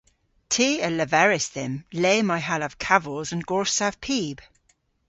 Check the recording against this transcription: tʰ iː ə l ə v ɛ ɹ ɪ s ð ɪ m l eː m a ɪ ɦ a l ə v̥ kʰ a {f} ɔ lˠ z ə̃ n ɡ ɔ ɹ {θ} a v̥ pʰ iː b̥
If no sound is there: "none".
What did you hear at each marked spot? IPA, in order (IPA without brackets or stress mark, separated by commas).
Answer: v, s